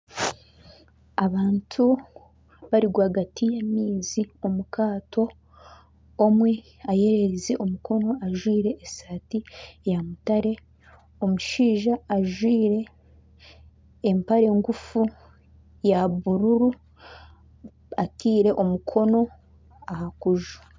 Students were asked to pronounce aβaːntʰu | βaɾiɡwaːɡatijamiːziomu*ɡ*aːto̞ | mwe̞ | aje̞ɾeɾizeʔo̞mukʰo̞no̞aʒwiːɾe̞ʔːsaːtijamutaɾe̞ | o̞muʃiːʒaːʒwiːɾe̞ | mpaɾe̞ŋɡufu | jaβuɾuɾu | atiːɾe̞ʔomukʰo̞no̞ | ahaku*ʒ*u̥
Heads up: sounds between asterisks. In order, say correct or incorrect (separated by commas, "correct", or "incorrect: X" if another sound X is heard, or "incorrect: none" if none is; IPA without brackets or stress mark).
incorrect: k, correct